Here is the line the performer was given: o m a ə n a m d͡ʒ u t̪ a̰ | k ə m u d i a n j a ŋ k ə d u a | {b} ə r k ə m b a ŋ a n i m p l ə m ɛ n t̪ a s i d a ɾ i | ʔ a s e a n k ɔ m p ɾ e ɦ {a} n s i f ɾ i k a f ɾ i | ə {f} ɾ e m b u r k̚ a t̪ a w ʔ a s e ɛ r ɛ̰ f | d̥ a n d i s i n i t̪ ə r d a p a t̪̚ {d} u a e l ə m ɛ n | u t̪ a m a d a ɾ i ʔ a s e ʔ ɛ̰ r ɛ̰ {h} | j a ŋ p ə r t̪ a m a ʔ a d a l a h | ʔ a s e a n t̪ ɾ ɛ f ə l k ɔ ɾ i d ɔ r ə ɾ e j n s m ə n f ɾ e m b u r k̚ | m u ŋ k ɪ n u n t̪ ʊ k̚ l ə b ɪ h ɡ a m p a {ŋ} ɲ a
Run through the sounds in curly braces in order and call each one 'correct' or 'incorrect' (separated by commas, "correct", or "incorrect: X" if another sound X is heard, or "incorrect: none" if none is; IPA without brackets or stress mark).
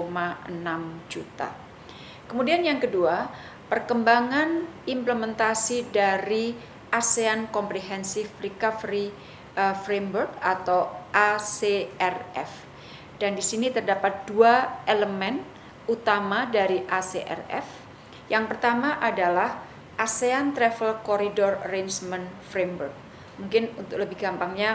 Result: incorrect: p, incorrect: ɛ, correct, correct, incorrect: f, correct